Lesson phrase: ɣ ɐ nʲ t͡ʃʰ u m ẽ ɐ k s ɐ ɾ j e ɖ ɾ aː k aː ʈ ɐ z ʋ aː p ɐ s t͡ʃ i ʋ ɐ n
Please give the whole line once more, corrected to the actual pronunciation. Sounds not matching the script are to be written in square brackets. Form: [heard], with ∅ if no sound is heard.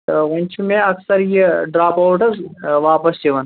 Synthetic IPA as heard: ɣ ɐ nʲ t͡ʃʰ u m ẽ ɐ k s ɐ ɾ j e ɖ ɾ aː [p] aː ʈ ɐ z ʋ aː p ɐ s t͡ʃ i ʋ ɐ n

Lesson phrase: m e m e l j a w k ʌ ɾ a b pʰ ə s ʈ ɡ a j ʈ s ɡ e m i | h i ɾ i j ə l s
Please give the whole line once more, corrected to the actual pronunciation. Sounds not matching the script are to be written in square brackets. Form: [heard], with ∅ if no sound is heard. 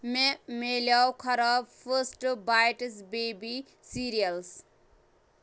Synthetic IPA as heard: m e m e l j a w [kʰ] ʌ ɾ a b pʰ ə s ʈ [b] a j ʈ s [b] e [b] i | [s] i ɾ i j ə l s

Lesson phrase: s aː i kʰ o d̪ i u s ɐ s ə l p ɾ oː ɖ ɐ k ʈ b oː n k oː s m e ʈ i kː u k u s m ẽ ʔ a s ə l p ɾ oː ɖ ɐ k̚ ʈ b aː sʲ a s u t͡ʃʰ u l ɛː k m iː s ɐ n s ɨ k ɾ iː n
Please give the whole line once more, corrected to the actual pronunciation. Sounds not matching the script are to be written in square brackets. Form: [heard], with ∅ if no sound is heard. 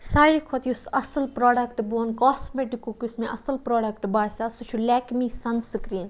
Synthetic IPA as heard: s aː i kʰ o [t̪] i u s ɐ s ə l p ɾ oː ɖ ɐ k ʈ b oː n k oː s m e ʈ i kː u k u s m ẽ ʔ [ɐ] s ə l p ɾ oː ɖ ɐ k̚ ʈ b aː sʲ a s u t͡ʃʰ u l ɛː k m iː s ɐ n s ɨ k ɾ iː n

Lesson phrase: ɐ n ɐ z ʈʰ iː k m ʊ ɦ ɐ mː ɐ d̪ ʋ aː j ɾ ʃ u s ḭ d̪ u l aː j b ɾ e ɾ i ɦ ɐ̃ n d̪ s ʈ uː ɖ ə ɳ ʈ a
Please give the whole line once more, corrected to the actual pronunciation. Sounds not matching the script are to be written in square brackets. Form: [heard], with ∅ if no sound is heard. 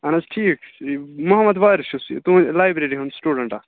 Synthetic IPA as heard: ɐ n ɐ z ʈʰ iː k m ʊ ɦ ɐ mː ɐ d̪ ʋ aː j ɾ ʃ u s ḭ [t̪] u l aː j b ɾ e ɾ i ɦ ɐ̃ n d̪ s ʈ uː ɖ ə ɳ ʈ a

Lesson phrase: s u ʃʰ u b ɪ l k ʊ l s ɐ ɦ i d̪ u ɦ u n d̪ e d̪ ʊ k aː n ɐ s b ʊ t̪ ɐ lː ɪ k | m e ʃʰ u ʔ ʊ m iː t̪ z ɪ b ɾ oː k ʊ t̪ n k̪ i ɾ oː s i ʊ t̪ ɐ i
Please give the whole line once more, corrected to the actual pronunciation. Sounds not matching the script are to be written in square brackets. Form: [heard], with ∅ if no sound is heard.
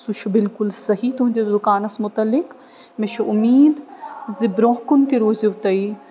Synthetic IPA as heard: s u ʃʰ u b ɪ l k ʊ l s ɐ ɦ i [t̪] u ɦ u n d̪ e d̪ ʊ k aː n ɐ s [m] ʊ t̪ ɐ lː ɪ k | m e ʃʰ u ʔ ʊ m iː [d̪] z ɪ b ɾ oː k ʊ [∅] n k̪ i ɾ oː [z] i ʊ t̪ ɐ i

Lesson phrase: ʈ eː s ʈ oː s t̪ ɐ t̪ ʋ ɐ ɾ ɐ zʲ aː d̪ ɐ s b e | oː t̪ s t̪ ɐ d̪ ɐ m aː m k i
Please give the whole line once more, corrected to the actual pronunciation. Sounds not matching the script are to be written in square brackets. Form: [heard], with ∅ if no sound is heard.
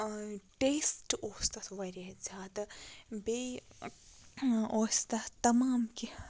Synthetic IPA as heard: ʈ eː s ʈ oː s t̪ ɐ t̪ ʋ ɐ ɾ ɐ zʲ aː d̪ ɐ [∅] b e | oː [∅] s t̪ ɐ [t̪] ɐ m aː m k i

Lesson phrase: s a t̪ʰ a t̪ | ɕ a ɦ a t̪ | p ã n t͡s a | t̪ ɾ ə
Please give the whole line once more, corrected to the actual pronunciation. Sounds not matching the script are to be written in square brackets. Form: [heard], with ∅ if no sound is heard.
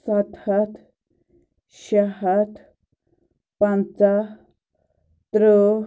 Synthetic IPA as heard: s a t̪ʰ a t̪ | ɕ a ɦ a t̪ | p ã n t͡s a | t̪ ɾ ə

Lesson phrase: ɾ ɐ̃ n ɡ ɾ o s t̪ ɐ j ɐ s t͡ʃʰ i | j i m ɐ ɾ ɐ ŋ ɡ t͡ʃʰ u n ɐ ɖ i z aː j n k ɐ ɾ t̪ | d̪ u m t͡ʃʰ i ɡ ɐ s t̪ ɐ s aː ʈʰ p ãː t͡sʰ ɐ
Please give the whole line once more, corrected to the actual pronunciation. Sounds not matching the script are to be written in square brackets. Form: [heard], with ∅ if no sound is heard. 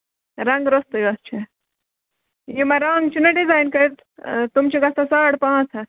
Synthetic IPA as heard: ɾ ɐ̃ [ŋ] ɡ ɾ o s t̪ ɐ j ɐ s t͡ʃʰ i | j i m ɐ ɾ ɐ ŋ ɡ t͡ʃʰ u n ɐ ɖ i z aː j n k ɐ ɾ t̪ | [t̪] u m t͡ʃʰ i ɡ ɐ s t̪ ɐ s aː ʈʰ p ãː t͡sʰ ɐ

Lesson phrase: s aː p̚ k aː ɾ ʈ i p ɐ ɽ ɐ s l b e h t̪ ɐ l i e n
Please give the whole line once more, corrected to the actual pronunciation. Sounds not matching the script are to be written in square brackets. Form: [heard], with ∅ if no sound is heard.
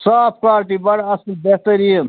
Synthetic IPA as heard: s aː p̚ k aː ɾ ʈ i [b] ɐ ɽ ɐ s l b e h t̪ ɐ [ɾ] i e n

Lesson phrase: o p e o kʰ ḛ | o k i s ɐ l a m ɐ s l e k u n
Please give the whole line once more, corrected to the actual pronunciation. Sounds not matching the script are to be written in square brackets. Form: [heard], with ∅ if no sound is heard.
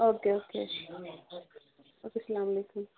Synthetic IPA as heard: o [k] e o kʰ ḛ | o k [e] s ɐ l a m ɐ [∅] l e k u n

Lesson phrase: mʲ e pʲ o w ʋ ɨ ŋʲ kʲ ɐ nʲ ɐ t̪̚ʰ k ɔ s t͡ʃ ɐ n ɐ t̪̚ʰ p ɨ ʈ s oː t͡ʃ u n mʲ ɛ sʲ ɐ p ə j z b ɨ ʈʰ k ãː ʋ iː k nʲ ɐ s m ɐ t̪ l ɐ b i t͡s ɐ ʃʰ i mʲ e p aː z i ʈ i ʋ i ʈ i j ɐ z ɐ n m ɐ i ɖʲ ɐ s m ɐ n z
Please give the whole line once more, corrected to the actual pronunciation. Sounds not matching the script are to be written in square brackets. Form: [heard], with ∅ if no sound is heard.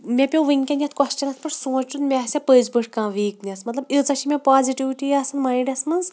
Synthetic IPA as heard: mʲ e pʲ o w ʋ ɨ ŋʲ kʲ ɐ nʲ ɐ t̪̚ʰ k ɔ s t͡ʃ ɐ n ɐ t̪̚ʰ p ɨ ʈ s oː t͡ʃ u n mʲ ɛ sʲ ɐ p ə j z b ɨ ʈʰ k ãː ʋ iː k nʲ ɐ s m ɐ t̪ l ɐ b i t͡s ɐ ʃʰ i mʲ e p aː z i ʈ i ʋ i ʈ i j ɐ [s] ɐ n m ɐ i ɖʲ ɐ s m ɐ n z

